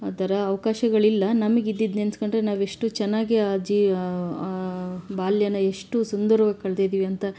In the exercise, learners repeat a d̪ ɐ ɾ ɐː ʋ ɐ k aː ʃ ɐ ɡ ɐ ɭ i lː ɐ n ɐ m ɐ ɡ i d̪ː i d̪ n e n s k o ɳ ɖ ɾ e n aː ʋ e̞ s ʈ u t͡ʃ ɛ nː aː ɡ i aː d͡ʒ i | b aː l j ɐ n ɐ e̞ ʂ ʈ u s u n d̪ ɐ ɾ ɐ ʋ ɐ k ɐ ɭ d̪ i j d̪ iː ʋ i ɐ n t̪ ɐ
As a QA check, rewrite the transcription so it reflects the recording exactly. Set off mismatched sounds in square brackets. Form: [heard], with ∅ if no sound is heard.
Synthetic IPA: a d̪ ɐ ɾ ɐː ʋ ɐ k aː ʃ ɐ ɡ ɐ ɭ i lː ɐ n ɐ m ɐ ɡ i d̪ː i d̪ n e n s k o ɳ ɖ ɾ e n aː ʋ e̞ [ʂ] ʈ u t͡ʃ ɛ nː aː ɡ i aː d͡ʒ i | b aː l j ɐ n ɐ e̞ ʂ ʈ u s u n d̪ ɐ ɾ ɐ ʋ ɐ k ɐ ɭ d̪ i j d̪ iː ʋ i ɐ n t̪ ɐ